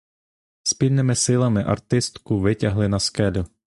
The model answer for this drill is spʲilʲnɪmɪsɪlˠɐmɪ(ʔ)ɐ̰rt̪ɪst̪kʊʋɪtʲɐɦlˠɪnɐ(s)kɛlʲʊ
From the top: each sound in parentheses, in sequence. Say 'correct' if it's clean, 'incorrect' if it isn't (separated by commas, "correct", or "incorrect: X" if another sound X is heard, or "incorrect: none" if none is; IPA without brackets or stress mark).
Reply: correct, correct